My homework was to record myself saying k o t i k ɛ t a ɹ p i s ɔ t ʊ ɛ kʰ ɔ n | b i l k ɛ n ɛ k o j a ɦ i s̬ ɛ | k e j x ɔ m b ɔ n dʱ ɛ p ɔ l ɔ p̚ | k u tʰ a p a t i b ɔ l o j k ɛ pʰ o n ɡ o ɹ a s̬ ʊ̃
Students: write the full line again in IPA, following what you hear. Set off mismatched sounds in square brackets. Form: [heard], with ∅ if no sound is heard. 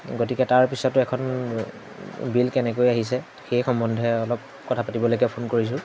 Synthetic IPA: [ɡ] o t i k ɛ t a ɹ p i s ɔ t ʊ ɛ kʰ ɔ n | b i l k ɛ n ɛ k o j a ɦ i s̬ ɛ | [x] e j x ɔ m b ɔ n dʱ ɛ [∅] ɔ l ɔ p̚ | k [ɔ] tʰ a p a t i b ɔ l o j k ɛ pʰ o n [k] o ɹ [i] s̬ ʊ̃